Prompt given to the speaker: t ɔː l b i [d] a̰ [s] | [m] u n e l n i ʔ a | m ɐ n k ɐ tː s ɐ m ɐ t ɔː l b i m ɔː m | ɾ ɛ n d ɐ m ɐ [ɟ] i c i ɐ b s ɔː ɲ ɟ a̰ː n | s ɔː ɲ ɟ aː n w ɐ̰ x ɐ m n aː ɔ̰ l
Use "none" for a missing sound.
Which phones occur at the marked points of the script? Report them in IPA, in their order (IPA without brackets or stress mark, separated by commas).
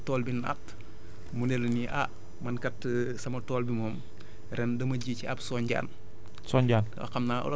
n, t, m, ɟ